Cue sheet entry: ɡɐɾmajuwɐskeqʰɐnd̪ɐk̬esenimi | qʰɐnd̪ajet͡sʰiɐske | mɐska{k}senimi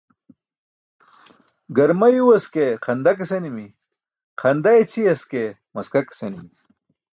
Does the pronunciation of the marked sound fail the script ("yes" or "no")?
no